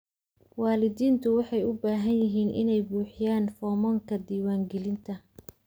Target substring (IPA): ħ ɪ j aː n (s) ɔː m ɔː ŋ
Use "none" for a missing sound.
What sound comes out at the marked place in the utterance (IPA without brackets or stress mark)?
f